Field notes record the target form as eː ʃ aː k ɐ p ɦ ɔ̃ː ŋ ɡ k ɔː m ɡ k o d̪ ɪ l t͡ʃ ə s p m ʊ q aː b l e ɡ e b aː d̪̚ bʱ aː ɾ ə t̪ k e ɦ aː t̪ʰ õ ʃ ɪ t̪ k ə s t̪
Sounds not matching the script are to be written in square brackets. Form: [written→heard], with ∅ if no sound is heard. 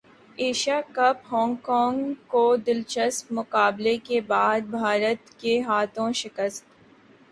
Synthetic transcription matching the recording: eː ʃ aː k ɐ p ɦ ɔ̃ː ŋ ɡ k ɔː [m→ŋ] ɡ k o d̪ ɪ l t͡ʃ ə s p m ʊ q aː b l e [ɡ→k] e b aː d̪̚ bʱ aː ɾ ə t̪ k e ɦ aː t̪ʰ õ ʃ ɪ [t̪→∅] k ə s t̪